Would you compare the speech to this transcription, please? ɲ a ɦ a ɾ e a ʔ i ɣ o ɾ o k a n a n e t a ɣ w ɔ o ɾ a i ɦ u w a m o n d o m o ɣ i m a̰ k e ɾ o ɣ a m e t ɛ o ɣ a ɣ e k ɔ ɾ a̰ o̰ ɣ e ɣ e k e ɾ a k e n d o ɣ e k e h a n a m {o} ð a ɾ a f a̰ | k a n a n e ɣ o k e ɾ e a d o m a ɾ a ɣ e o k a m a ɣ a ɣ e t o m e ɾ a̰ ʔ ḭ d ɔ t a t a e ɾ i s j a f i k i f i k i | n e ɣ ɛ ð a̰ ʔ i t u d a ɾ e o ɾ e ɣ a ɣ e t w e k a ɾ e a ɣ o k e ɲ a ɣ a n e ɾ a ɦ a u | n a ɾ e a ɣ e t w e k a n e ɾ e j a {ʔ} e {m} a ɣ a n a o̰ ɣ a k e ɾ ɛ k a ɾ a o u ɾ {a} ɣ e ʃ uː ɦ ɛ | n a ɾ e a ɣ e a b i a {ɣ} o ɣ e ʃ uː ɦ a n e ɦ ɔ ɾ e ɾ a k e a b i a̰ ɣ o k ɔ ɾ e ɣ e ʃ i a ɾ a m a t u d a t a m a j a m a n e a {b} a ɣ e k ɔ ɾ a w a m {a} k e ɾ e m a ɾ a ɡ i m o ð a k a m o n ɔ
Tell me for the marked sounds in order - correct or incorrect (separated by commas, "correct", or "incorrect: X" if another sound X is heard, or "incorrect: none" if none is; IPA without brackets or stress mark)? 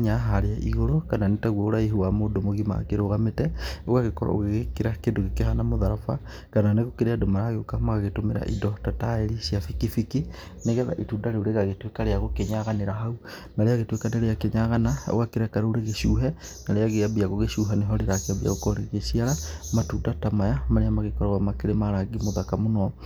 correct, incorrect: k, incorrect: ɲ, incorrect: e, correct, incorrect: m, correct